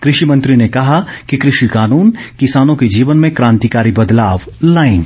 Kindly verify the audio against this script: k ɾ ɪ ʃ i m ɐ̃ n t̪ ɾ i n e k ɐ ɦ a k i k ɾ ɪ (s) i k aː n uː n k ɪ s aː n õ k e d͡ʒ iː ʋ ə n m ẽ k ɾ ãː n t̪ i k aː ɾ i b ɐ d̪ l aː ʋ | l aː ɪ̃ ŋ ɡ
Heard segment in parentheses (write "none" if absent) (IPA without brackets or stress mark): ʃ